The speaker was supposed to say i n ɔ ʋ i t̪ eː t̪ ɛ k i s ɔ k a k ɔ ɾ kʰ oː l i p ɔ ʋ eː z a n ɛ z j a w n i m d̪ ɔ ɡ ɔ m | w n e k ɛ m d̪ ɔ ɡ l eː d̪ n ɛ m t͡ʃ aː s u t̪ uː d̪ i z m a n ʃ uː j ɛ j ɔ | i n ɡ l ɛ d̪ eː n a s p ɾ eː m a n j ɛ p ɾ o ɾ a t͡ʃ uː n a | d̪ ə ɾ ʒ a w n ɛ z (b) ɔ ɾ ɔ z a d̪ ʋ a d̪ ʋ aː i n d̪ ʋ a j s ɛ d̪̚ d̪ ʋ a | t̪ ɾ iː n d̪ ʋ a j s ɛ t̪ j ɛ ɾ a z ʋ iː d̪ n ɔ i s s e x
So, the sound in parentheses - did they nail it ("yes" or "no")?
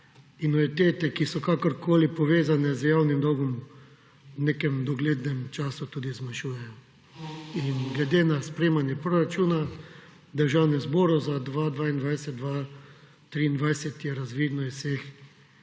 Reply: yes